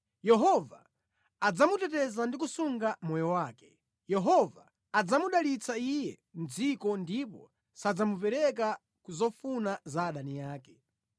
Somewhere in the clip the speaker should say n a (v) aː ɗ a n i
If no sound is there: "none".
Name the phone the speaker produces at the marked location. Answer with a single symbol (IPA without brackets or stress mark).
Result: z